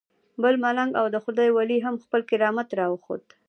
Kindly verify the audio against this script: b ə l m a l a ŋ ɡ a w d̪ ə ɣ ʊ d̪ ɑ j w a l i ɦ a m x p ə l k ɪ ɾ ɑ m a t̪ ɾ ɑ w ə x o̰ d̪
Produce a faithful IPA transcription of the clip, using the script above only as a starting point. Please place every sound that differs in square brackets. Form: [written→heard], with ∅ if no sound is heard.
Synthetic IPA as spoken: b ə l m a l a ŋ ɡ a w d̪ ə [ɣ→x] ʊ d̪ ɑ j w a l i ɦ a m x p ə l k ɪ ɾ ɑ m a t̪ ɾ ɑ w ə x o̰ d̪